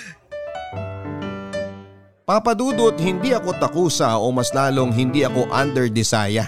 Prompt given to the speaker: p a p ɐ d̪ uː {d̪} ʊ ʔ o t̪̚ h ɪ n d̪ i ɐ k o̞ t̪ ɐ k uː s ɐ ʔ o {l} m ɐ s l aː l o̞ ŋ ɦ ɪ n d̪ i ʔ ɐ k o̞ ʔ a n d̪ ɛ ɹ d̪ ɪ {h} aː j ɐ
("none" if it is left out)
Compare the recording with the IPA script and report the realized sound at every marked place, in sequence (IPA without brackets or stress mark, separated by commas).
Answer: d̪, none, s